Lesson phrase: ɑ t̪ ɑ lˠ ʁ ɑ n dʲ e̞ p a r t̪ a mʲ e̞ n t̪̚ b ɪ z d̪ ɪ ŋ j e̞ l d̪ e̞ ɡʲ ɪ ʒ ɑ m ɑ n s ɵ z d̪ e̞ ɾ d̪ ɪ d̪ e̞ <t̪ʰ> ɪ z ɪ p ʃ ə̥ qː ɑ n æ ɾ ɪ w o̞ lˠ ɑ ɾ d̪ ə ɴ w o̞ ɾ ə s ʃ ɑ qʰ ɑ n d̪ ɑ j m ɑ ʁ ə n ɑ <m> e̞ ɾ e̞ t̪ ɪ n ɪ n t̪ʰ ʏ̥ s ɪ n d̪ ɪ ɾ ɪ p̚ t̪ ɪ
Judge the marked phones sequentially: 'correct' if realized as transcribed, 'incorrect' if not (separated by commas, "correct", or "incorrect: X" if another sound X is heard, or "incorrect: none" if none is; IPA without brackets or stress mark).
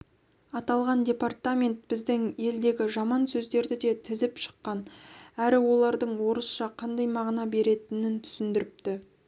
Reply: correct, incorrect: b